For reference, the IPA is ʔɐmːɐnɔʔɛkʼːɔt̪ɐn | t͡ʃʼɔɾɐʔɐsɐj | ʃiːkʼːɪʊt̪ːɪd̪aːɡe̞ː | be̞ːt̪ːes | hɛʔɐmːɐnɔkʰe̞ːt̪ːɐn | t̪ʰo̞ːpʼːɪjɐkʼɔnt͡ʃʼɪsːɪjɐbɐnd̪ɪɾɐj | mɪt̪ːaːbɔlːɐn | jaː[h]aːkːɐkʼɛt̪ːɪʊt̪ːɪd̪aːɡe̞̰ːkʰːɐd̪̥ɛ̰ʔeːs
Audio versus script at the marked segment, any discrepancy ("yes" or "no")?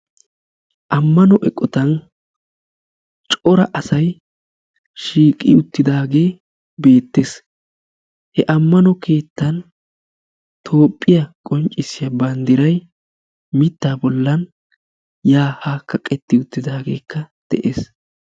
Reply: no